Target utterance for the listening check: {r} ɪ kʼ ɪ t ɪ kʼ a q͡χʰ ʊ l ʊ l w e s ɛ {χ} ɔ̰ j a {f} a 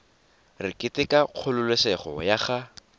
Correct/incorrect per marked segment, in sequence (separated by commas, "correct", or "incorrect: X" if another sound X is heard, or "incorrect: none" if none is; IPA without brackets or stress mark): correct, correct, incorrect: χ